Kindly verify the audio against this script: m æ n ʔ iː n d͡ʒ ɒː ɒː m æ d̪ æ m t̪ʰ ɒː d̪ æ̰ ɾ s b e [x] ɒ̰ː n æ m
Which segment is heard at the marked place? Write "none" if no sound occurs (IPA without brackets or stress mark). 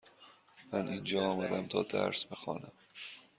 x